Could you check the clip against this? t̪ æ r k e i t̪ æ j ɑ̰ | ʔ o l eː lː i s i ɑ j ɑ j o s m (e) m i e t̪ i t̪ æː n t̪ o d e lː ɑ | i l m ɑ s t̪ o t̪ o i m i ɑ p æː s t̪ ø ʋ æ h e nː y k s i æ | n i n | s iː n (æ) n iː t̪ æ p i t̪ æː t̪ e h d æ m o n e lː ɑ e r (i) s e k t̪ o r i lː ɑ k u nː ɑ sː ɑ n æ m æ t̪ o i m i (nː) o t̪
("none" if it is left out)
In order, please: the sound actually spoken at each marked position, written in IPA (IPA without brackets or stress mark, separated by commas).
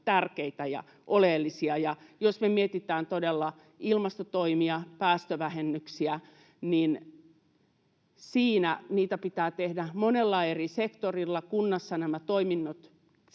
e, æ, i, nː